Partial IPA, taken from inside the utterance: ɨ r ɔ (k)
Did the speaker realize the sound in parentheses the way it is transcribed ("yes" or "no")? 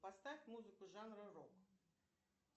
yes